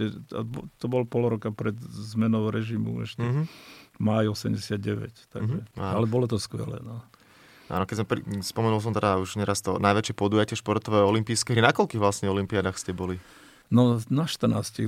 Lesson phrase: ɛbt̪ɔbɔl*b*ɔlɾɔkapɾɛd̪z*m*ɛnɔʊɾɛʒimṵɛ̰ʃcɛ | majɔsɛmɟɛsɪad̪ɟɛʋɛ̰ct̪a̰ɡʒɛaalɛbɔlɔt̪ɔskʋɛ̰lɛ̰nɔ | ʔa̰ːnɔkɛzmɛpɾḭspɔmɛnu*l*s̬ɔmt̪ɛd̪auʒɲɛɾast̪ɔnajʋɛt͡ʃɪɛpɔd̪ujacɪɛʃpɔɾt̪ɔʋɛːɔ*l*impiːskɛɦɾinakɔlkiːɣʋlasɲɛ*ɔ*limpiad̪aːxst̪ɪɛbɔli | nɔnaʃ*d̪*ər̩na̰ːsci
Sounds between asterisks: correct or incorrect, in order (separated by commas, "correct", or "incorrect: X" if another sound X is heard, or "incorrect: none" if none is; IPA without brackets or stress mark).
incorrect: p, correct, correct, correct, correct, incorrect: t̪